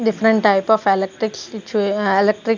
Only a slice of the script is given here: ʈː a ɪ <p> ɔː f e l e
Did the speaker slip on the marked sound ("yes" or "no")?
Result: no